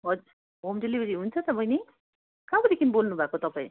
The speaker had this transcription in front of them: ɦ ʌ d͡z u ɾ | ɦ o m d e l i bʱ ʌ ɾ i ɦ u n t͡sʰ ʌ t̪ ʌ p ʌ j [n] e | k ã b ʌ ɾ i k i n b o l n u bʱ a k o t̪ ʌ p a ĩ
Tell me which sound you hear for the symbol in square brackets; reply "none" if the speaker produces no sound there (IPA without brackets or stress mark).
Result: n